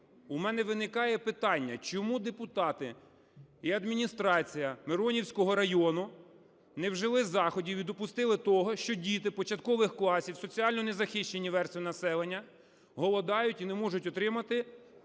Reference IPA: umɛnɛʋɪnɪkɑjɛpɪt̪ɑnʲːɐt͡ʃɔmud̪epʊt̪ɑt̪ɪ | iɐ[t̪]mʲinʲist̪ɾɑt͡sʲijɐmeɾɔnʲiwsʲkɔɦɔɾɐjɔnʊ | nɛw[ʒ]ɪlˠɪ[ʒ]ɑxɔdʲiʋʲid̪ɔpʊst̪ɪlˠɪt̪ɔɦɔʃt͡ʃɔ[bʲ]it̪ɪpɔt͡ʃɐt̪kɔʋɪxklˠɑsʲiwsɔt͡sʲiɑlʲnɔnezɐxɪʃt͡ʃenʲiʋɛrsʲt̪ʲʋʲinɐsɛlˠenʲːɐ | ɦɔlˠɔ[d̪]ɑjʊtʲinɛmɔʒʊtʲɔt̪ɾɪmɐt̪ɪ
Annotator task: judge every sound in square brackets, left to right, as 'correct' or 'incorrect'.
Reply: incorrect: d̪, correct, incorrect: z, incorrect: dʲ, correct

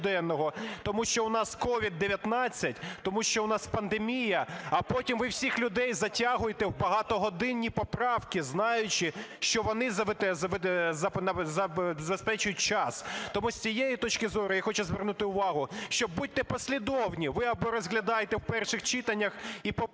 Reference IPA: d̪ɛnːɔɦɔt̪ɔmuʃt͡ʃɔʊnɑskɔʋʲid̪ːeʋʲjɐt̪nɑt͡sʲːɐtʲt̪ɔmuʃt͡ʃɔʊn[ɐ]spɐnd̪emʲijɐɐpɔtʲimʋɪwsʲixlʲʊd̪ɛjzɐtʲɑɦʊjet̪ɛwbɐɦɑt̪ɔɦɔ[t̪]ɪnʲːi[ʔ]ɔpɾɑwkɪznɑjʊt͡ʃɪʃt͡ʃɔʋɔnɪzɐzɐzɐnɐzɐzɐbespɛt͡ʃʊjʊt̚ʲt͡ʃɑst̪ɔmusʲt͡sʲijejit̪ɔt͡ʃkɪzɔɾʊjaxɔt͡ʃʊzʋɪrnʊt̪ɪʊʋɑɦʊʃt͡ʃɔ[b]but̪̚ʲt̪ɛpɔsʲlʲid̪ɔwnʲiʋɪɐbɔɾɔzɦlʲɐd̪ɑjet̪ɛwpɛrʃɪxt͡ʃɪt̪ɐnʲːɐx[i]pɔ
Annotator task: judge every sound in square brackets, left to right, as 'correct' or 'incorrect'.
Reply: incorrect: ɑ, incorrect: d̪, incorrect: p, correct, correct

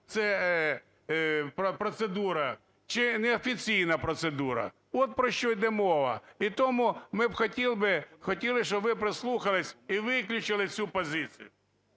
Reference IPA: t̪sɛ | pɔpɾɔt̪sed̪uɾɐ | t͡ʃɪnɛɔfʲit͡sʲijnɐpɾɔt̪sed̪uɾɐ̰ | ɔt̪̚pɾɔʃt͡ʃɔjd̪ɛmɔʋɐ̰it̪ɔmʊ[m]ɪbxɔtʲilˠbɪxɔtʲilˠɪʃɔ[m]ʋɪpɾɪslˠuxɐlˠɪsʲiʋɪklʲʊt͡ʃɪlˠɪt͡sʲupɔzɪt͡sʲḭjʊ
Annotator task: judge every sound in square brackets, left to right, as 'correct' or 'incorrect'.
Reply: correct, incorrect: b

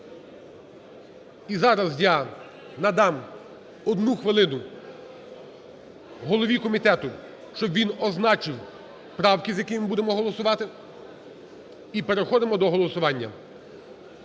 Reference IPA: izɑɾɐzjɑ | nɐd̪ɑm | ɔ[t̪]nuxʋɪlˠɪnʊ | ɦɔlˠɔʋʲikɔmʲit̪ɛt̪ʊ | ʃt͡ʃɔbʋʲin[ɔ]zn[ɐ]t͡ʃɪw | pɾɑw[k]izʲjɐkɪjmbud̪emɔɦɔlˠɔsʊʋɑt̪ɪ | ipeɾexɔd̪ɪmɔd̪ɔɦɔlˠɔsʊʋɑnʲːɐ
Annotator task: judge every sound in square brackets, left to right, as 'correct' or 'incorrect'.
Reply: incorrect: d̪, correct, incorrect: ɑ, correct

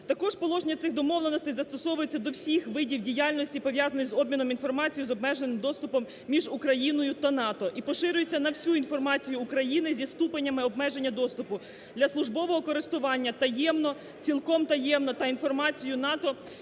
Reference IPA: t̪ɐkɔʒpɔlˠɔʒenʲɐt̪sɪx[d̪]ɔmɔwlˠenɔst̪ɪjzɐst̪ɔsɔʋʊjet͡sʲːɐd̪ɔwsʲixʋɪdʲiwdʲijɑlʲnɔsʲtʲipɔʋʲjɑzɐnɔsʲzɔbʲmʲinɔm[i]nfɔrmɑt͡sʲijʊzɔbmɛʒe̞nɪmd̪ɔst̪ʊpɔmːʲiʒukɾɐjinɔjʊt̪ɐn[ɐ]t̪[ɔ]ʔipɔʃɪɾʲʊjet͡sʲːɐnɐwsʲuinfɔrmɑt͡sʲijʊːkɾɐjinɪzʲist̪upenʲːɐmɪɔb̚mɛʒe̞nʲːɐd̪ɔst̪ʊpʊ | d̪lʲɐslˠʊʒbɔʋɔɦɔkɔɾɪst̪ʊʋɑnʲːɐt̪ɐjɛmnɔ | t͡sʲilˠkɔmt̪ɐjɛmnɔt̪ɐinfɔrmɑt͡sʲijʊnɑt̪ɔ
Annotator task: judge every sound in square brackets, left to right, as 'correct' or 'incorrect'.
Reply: correct, correct, incorrect: ɑ, correct

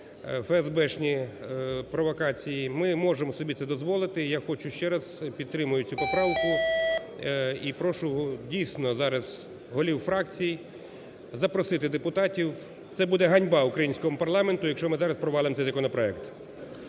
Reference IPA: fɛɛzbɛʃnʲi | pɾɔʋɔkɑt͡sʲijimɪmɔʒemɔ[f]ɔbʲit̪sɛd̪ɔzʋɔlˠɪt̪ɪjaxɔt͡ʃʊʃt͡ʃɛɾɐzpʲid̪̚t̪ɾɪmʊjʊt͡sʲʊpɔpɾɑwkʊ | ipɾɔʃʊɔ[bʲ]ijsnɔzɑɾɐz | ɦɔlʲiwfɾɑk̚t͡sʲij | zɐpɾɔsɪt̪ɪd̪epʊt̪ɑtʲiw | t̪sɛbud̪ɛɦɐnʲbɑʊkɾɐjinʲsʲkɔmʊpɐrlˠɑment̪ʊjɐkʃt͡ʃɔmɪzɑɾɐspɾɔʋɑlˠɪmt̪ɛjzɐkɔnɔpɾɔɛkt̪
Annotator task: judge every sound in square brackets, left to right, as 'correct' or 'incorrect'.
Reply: incorrect: s, incorrect: dʲ

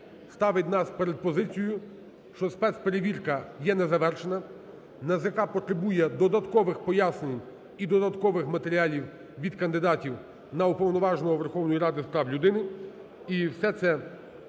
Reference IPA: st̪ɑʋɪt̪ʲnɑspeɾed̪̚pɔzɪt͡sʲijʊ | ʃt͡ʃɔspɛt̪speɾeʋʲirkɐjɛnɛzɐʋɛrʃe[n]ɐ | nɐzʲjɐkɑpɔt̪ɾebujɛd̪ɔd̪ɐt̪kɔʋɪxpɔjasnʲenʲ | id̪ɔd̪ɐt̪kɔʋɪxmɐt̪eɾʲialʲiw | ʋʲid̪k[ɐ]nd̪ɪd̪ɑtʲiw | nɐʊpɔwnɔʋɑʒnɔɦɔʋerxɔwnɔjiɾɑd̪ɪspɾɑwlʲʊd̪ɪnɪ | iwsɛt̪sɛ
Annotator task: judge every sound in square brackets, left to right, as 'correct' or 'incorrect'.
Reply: correct, correct

